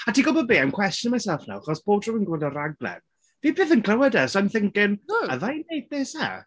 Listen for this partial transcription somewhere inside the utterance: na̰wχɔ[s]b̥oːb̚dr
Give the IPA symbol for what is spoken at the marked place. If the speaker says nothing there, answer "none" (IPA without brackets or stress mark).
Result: s